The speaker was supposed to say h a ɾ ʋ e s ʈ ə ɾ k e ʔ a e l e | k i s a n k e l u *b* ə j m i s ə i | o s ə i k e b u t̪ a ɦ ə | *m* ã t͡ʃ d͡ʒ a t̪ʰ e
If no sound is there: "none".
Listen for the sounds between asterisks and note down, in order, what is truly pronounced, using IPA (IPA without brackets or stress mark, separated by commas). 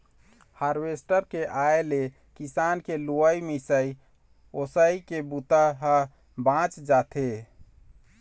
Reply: none, b